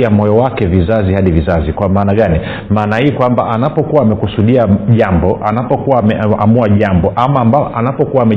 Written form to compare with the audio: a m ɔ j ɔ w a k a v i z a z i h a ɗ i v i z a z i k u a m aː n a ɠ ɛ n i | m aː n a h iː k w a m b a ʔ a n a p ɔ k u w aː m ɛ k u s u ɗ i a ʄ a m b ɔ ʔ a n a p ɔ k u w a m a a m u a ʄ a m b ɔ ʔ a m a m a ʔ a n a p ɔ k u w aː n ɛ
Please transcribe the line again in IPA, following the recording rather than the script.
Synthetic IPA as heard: a m ɔ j ɔ w a k ɛ v i z a z i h a ɗ i v i z a z i k w a m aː n a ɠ a n i | m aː n a h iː k w a m b a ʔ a n a p ɔ k u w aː m ɛ k u s u ɗ i a ʄ a m b ɔ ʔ a n a p ɔ k u w a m ɛ a m u a ʄ a m b ɔ ʔ a m a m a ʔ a n a p ɔ k u w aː m ɛ